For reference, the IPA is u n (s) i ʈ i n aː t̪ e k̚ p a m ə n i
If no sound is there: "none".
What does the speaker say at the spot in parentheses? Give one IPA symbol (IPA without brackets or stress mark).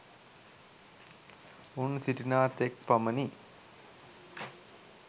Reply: s